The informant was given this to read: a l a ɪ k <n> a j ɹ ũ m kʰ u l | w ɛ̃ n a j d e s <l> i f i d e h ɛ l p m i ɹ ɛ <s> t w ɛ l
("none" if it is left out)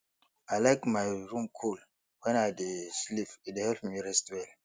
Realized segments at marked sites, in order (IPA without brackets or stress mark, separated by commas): m, l, s